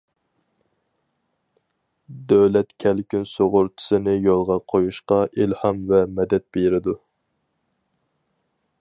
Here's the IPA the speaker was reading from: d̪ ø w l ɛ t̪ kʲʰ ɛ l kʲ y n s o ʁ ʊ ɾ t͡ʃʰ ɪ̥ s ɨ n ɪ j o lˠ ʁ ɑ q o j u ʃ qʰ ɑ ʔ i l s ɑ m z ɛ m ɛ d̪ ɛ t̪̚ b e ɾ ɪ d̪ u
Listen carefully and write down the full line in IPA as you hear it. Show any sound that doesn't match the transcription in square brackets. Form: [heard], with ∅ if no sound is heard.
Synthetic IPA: d̪ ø w l ɛ t̪ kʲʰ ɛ l kʲ y n s o ʁ ʊ ɾ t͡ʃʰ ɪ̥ s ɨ n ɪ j o lˠ ʁ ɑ [qʰ] o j u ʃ [q] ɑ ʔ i l [h] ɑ m [v] ɛ m ɛ d̪ ɛ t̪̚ b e ɾ ɪ d̪ u

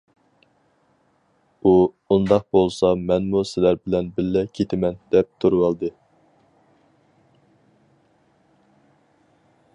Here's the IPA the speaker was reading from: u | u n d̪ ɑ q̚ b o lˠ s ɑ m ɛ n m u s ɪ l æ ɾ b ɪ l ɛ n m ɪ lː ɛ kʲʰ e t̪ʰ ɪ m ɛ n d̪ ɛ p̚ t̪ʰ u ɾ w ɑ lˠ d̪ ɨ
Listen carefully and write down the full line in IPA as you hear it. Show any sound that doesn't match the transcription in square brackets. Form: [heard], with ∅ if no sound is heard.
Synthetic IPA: u | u n d̪ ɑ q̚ b o lˠ s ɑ m ɛ n m u s ɪ l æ ɾ b ɪ l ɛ n [b] ɪ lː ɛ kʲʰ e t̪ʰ ɪ m ɛ n d̪ ɛ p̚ t̪ʰ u ɾ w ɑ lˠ d̪ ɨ

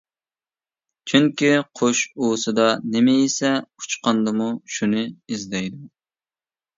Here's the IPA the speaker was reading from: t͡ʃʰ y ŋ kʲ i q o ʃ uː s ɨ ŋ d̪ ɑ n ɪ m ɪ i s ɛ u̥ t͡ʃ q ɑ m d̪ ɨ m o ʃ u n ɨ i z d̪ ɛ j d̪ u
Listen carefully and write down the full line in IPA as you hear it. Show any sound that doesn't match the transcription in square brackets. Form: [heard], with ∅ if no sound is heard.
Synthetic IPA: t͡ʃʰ y ŋ kʲ i [qʰ] o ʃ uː s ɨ [∅] d̪ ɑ n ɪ m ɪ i s ɛ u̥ t͡ʃ q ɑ [n] d̪ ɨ m [u] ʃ u n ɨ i z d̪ ɛ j d̪ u

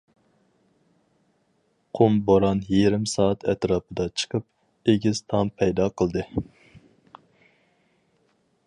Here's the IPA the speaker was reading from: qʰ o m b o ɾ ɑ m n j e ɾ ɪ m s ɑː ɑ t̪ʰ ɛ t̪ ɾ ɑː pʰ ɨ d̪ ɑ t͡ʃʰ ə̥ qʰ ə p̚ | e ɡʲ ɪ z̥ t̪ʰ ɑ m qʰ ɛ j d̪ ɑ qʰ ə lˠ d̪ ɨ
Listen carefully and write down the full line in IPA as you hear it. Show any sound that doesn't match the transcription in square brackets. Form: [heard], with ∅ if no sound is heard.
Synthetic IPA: qʰ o m b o ɾ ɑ [∅] n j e ɾ ɪ m s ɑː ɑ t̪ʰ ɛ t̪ ɾ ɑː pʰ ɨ d̪ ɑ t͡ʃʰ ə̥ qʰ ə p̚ | e ɡʲ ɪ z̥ t̪ʰ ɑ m [pʰ] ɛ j d̪ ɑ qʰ ə lˠ d̪ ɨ

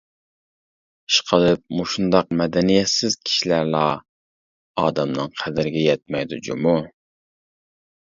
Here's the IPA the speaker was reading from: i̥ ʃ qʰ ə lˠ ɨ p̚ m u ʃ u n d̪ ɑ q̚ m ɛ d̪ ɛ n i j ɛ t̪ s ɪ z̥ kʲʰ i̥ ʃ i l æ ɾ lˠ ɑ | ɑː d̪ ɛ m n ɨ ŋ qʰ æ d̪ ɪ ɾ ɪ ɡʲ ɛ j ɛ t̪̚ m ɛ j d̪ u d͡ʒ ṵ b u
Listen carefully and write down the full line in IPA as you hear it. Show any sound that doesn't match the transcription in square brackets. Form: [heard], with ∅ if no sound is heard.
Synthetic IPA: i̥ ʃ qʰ ə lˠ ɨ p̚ m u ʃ u n d̪ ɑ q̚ m ɛ d̪ ɛ n i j ɛ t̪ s ɪ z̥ kʲʰ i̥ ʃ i l æ ɾ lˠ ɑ | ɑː d̪ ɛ m n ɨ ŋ qʰ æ d̪ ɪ ɾ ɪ ɡʲ ɛ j ɛ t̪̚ m ɛ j d̪ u d͡ʒ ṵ [m] u

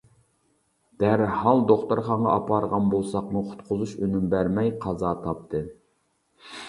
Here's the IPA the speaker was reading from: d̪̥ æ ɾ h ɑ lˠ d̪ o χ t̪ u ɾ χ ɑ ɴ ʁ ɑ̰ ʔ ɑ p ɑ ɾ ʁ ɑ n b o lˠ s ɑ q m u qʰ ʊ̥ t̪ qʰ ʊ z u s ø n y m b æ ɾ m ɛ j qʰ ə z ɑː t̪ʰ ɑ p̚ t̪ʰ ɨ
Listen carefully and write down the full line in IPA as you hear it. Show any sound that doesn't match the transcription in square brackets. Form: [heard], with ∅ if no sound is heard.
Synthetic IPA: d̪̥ æ ɾ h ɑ lˠ d̪ o χ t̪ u ɾ χ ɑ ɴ ʁ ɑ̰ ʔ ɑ p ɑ ɾ ʁ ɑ n b o lˠ s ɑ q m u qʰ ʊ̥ t̪ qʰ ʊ z u [ʃ] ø n y m b æ ɾ m ɛ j qʰ [ɑ] z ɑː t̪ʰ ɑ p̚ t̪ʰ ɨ

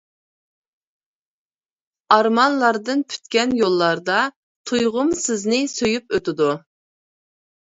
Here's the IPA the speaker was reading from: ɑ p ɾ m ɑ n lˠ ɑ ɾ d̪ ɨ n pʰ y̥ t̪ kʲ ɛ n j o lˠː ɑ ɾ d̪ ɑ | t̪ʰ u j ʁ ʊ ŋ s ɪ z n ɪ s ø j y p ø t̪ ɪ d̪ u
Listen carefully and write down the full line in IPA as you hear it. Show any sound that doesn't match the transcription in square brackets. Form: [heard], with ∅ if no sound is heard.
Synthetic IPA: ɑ [∅] ɾ m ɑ n lˠ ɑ ɾ d̪ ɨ n pʰ y̥ t̪ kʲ ɛ n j o lˠː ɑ ɾ d̪ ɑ | t̪ʰ u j ʁ ʊ [m] s ɪ z n ɪ s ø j y p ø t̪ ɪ d̪ u

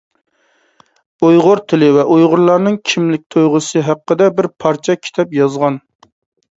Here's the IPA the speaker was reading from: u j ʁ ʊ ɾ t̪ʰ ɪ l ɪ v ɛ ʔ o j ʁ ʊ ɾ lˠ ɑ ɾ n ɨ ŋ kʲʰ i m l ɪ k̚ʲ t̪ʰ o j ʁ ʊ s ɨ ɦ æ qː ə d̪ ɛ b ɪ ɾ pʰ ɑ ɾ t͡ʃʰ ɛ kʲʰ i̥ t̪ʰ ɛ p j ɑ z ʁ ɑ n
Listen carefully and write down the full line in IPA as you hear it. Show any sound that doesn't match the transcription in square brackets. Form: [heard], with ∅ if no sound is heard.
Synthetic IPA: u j ʁ ʊ ɾ t̪ʰ ɪ l ɪ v ɛ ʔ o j ʁ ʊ ɾ lˠ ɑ ɾ n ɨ ŋ kʲʰ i m l ɪ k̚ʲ t̪ʰ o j ʁ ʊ s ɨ ɦ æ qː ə d̪ ɛ b ɪ ɾ pʰ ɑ ɾ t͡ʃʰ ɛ kʲʰ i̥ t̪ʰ ɛ p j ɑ z ʁ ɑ n

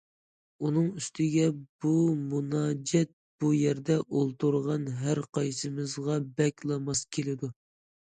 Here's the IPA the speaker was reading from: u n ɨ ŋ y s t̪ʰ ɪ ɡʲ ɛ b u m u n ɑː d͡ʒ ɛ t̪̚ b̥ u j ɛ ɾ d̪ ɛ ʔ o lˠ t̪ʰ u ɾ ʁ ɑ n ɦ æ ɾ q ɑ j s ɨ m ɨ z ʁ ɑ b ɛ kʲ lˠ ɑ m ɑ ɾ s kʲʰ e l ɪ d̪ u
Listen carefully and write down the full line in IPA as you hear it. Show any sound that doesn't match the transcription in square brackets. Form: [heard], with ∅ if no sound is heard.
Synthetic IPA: u n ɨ ŋ y s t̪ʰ ɪ ɡʲ ɛ b u m u n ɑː d͡ʒ ɛ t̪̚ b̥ u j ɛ ɾ d̪ ɛ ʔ o lˠ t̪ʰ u ɾ ʁ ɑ n ɦ æ ɾ q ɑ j s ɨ m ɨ z ʁ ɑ b ɛ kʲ lˠ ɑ m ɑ [∅] s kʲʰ e l ɪ d̪ u

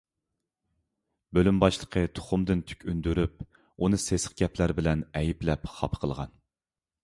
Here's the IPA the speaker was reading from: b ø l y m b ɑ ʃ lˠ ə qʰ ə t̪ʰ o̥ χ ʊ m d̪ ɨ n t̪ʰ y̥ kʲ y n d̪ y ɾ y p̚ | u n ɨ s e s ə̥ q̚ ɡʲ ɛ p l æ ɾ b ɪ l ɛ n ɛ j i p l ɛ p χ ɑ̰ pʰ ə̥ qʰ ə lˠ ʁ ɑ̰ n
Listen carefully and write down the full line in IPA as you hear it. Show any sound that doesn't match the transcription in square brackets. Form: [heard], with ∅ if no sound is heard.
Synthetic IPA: b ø l y m b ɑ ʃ lˠ ə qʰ ə t̪ʰ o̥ χ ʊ m d̪ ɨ n t̪ʰ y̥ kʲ y n d̪ y ɾ y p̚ | u n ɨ s e s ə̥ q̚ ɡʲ ɛ p l æ ɾ b ɪ l ɛ n ɛ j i p l ɛ p χ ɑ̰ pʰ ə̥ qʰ ə lˠ ʁ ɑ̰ n

